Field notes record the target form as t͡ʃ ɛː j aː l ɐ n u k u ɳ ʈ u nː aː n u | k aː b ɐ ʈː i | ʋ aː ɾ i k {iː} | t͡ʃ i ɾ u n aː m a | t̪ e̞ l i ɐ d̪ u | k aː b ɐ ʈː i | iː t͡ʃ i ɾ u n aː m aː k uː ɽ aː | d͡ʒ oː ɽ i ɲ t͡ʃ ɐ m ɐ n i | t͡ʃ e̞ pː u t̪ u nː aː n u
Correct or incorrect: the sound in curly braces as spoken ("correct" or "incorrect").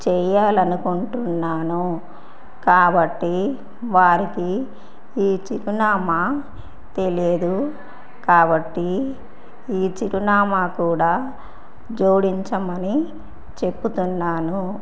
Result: correct